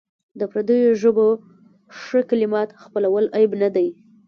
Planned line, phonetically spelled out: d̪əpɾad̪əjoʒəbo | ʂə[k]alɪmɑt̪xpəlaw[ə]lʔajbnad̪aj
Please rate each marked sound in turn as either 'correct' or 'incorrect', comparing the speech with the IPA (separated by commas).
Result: correct, correct